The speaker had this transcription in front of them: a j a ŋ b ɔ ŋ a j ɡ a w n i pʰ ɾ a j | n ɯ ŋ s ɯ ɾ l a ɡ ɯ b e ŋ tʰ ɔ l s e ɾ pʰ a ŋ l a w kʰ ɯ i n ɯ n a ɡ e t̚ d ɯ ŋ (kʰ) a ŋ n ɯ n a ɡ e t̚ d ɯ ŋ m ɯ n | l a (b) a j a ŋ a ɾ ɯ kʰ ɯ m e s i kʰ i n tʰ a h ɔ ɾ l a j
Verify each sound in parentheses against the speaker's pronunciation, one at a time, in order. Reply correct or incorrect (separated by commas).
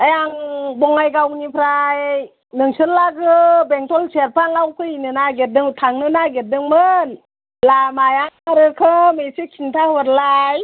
incorrect, incorrect